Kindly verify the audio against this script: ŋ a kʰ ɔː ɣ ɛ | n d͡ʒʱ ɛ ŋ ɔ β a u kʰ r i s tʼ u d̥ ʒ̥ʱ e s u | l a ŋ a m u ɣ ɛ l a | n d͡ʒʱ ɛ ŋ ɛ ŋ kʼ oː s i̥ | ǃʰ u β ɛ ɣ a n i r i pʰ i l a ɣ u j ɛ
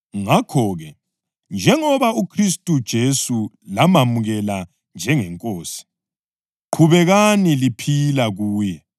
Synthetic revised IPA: ŋ a kʰ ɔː ɣ ɛ | n d͡ʒʱ ɛ ŋ ɔ β a u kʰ r i s tʼ u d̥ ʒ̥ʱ e s u | l a m a m u ɣ ɛ l a | n d͡ʒʱ ɛ ŋ ɛ ŋ kʼ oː s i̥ | ǃʰ u β ɛ ɣ a n i l i pʰ i l a ɣ uː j ɛ